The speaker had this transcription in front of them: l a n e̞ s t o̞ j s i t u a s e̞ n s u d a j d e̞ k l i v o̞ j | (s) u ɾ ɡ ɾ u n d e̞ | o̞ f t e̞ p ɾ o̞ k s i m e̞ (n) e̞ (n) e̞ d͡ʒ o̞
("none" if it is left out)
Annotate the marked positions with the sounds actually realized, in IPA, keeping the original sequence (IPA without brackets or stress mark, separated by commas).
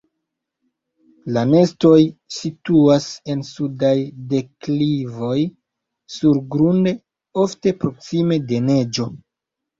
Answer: s, d, n